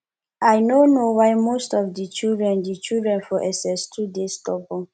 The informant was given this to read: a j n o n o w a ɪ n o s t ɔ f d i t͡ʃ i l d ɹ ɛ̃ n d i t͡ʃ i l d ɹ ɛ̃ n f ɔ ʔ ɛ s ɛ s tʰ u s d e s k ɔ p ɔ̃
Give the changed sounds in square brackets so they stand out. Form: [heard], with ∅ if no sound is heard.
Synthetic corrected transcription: a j n o n o w a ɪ [m] o s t ɔ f d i t͡ʃ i l d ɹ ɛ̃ n d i t͡ʃ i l d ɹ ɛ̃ n f ɔ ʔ ɛ s ɛ s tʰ u [∅] d e s [t] ɔ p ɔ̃